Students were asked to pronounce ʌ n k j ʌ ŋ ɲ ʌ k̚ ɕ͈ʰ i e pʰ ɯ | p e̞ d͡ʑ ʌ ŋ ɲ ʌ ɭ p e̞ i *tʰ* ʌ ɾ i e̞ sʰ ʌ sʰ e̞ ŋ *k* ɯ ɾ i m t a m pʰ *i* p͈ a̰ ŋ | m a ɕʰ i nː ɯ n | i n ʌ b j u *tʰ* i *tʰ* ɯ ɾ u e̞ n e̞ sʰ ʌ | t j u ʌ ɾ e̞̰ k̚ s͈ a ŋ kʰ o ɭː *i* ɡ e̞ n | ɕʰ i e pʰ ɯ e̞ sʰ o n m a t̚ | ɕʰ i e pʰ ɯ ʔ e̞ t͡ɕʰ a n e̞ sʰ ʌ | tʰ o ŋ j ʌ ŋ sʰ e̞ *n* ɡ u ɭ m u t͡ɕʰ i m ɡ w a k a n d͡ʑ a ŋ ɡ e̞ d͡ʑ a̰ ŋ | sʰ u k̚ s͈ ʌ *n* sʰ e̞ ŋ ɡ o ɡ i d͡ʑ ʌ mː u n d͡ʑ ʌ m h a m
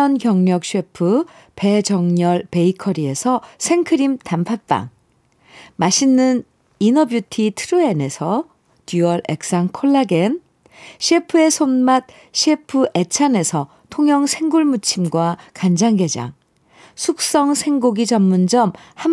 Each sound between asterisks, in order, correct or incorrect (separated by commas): incorrect, incorrect, incorrect, correct, correct, incorrect, incorrect, incorrect